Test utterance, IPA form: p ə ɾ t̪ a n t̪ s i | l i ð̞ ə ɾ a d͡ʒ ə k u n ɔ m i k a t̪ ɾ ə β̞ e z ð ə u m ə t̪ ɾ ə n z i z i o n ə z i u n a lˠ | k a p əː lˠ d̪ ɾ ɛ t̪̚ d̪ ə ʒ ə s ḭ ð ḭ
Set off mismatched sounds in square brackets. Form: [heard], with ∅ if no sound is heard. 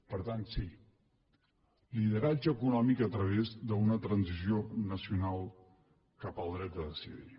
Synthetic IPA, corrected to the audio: p ə ɾ t̪ a n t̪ s i | l i ð̞ ə ɾ a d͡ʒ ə k u n ɔ m i k [ə] t̪ ɾ ə β̞ e z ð ə u [n] ə t̪ ɾ ə n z i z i o n ə [s] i u n a lˠ | k a p [ə] lˠ d̪ ɾ ɛ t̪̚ d̪ ə [ð] ə s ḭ ð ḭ